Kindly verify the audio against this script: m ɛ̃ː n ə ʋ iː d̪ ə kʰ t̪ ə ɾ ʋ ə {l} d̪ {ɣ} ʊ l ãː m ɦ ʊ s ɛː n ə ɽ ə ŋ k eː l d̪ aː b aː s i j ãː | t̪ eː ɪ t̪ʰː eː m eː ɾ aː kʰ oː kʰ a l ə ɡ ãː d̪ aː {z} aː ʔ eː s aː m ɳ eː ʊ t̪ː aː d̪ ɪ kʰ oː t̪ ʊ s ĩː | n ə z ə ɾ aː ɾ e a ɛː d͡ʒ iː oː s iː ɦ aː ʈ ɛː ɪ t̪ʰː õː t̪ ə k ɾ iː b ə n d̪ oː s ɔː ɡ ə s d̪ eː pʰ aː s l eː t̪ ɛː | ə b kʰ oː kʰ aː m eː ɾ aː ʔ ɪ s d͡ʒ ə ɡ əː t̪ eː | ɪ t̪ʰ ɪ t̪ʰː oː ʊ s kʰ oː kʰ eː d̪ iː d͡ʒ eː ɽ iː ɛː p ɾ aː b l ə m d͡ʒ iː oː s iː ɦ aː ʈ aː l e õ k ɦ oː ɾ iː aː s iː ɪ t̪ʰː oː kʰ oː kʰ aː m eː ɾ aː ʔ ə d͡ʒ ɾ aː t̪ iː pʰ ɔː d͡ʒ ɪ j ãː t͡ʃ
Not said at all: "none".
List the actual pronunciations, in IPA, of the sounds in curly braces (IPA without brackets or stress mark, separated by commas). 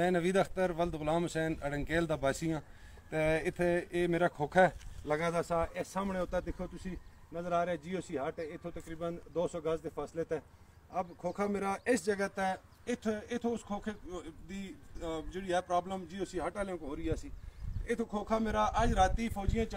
l, ɣ, s